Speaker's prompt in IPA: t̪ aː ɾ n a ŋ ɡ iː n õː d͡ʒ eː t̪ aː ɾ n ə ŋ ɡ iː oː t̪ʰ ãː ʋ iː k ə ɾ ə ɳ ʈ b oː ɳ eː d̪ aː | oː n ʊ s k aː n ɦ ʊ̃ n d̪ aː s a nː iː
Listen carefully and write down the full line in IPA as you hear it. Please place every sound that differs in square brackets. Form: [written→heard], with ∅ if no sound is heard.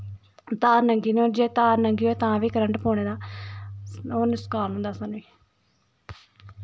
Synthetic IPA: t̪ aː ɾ n [a→ə] ŋ ɡ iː n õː d͡ʒ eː t̪ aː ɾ n ə ŋ ɡ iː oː [t̪ʰ→t̪] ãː ʋ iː k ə ɾ ə ɳ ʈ [b→p] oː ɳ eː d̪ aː | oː n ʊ s k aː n ɦ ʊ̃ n d̪ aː s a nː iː

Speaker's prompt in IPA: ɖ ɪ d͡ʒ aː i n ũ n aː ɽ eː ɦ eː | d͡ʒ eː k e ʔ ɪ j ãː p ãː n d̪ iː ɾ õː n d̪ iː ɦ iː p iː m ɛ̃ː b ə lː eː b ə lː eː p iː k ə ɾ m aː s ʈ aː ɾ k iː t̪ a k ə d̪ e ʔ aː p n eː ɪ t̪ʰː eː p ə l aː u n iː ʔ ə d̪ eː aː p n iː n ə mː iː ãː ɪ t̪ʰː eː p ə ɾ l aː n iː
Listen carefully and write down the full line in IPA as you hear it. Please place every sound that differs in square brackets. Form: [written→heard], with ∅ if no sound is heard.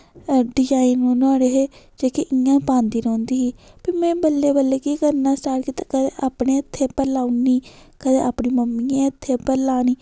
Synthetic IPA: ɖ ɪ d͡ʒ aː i n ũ n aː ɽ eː ɦ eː | d͡ʒ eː k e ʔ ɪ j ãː p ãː n d̪ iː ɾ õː n d̪ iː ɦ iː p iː m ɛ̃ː b ə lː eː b ə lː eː [p→k] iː k ə ɾ [m→n] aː s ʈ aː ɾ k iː t̪ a k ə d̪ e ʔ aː p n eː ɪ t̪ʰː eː p ə l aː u n iː [ʔ→k] ə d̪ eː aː p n iː [n→m] ə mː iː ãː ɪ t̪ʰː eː p ə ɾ l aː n iː

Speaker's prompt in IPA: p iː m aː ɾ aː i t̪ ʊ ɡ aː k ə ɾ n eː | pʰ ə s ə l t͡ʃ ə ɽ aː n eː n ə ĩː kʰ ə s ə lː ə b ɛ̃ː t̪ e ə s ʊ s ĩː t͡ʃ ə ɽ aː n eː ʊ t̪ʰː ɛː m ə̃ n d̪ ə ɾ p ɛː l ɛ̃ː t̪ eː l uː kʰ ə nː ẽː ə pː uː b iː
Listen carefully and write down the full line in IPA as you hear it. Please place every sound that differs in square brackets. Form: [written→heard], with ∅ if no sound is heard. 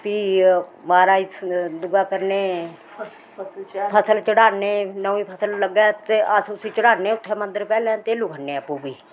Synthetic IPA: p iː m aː ɾ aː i [t̪→d̪] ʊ ɡ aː k ə ɾ n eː | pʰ ə s ə l t͡ʃ ə ɽ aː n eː n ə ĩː [kʰ→pʰ] ə s ə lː ə [b→ɡ] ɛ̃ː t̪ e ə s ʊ s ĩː t͡ʃ ə ɽ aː n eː ʊ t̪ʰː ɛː m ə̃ n d̪ ə ɾ p ɛː l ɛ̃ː t̪ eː l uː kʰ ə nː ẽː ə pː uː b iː

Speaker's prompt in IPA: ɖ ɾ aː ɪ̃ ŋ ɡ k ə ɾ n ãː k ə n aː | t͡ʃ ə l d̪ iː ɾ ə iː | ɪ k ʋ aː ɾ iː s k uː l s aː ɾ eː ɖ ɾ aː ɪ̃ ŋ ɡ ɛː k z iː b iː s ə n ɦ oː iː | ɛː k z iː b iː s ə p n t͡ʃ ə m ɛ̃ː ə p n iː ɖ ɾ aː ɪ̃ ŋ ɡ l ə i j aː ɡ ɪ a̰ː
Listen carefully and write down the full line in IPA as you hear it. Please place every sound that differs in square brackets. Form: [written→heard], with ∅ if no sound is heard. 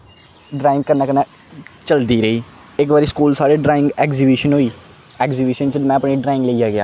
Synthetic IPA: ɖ ɾ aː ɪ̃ ŋ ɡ k ə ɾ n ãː k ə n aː | t͡ʃ ə l d̪ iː ɾ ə iː | ɪ k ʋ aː ɾ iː s k uː l s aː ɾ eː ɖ ɾ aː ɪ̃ ŋ ɡ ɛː k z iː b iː [s→ʃ] ə n ɦ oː iː | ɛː k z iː b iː [s→ʃ] ə [p→∅] n t͡ʃ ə m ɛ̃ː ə p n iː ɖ ɾ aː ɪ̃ ŋ ɡ l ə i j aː ɡ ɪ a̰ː

